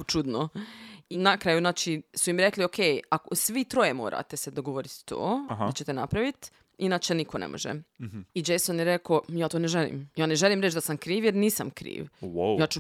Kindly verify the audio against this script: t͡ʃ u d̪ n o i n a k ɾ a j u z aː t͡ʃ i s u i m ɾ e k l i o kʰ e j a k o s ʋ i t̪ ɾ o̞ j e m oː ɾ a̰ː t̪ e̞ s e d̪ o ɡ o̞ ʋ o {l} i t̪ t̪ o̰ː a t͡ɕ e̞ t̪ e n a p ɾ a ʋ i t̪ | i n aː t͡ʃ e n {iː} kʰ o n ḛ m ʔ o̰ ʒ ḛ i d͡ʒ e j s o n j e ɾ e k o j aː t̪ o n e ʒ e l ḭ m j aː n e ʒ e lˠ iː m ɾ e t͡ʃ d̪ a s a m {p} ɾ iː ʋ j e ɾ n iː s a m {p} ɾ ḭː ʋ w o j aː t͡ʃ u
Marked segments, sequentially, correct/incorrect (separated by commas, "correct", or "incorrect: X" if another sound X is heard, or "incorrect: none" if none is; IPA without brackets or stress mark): incorrect: ɾ, incorrect: i, incorrect: k, incorrect: k